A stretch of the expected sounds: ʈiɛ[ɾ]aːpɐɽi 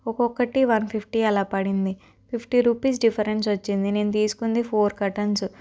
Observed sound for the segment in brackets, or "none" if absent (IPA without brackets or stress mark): l